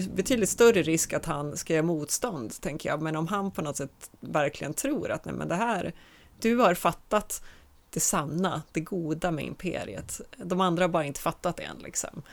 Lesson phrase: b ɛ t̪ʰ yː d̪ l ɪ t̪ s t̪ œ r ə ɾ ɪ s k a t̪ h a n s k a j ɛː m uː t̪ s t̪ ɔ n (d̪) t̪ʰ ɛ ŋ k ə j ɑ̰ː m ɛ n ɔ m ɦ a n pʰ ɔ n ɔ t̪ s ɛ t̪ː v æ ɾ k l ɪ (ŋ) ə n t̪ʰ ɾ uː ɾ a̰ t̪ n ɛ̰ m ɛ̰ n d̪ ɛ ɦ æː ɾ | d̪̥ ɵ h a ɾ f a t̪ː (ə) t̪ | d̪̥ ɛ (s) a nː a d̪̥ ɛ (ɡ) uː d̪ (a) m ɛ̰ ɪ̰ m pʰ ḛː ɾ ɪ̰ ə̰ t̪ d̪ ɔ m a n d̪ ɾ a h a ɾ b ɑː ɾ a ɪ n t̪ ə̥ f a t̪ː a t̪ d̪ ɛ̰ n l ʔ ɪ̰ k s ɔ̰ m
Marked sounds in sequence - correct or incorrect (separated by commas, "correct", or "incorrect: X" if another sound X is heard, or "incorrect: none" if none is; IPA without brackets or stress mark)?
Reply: correct, incorrect: ɡ, incorrect: a, correct, correct, correct